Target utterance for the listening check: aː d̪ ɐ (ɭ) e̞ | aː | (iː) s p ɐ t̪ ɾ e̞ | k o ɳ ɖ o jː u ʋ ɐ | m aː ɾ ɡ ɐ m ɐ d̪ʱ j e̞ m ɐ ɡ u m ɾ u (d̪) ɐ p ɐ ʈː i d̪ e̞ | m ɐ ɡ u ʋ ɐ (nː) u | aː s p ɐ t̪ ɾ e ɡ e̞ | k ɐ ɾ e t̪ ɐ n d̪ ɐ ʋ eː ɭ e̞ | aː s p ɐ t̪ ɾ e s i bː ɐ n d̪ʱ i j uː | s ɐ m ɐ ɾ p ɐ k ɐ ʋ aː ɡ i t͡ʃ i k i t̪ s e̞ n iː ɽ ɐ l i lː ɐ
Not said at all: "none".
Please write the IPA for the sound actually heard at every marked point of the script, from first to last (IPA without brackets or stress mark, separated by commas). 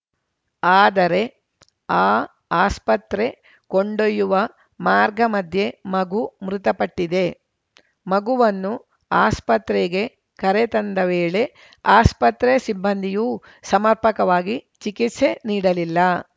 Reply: ɾ, aː, t̪, nː